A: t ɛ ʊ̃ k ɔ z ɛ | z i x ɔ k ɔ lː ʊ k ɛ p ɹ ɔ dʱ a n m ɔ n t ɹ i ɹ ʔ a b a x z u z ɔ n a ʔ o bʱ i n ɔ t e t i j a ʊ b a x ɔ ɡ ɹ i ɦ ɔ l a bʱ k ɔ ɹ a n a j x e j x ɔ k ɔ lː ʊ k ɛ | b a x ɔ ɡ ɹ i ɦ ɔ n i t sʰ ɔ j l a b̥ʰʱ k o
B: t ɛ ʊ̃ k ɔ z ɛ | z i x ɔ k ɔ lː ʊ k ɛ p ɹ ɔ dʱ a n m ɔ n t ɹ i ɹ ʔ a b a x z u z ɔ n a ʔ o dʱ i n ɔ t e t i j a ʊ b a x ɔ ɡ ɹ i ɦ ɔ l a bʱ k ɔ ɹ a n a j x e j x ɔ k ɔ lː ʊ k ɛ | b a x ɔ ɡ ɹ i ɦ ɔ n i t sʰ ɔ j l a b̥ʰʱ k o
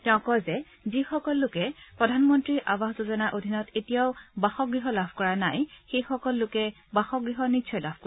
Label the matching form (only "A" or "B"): B